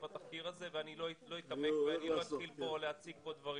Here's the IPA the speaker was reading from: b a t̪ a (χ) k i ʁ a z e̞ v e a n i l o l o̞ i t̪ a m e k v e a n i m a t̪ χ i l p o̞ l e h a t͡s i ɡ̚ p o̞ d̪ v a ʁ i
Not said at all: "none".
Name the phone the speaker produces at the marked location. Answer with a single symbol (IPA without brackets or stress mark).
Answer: f